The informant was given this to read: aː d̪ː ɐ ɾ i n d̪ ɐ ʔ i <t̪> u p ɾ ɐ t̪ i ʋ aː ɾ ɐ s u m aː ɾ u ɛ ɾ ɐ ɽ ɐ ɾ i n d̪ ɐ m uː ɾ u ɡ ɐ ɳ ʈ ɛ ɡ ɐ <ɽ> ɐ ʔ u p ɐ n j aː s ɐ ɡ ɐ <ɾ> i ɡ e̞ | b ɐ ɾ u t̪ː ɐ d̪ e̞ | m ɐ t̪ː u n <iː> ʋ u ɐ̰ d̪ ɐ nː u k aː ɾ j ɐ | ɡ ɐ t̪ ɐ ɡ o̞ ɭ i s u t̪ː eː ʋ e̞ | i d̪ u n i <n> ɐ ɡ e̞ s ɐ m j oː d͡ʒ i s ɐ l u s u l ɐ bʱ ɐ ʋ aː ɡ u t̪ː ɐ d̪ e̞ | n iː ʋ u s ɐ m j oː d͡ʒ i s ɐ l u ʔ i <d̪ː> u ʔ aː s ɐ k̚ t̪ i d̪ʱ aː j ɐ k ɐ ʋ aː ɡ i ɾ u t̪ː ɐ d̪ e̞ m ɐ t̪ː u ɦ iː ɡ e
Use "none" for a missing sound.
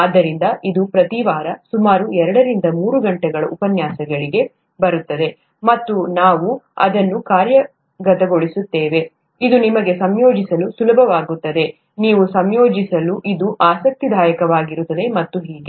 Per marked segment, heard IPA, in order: d̪, ɭ, ɭ, aː, m, d̪

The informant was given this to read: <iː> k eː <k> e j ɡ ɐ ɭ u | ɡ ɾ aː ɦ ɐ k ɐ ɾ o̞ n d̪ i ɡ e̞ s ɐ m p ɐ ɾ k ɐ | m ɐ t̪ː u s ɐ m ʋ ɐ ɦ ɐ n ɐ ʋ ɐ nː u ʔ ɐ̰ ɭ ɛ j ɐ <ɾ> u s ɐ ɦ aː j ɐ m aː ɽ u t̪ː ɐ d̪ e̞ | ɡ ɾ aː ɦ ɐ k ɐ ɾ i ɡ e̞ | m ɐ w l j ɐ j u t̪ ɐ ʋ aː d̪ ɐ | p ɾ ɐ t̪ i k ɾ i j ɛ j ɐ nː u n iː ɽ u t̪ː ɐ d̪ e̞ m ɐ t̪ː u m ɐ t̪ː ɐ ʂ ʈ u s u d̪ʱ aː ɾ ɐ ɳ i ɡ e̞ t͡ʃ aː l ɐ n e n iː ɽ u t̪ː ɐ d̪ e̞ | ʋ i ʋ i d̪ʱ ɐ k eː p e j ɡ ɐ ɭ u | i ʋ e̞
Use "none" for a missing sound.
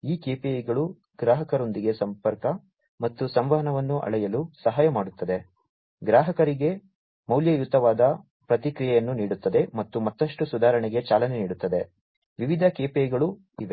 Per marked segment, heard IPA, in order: iː, p, l

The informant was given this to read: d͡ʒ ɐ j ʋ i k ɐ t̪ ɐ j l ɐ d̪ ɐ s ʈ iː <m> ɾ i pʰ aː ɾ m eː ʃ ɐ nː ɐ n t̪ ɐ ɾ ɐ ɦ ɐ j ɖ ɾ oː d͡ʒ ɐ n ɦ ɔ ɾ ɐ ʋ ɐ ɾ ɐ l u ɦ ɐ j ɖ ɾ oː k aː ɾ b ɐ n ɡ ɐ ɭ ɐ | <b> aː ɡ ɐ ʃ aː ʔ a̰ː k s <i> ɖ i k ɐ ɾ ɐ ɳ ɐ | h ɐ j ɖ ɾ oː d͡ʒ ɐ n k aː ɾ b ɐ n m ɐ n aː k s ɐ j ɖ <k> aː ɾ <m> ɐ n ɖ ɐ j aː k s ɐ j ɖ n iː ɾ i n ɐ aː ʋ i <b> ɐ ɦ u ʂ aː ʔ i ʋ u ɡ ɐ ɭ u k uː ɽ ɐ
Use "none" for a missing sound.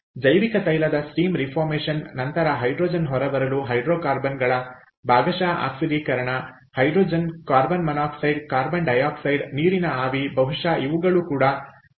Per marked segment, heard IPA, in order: m, b, i, k, b, b

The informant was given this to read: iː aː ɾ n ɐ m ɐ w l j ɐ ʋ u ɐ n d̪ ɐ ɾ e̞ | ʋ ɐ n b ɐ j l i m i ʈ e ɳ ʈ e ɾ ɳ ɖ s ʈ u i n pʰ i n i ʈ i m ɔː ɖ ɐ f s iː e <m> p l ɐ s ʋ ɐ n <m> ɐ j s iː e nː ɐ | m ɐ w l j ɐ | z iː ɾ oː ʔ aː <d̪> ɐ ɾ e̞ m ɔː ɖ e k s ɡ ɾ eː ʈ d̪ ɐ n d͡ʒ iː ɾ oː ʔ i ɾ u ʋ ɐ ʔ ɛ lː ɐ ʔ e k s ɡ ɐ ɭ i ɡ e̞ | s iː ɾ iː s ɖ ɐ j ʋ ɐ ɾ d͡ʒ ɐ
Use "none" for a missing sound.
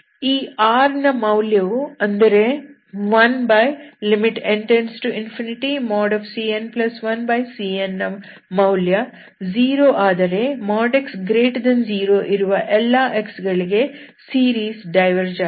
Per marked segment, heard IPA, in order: n, b, d̪

